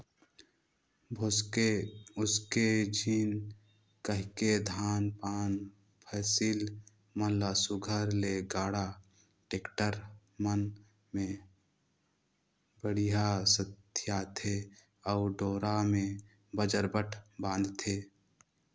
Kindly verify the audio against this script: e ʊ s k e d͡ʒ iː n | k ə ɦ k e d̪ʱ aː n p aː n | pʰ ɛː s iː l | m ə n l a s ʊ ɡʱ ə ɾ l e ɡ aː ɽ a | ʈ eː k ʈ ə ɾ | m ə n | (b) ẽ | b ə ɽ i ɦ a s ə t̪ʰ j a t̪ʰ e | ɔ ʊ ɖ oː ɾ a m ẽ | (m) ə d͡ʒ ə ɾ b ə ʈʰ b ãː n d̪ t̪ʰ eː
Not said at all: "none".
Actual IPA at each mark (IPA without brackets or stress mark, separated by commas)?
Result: m, b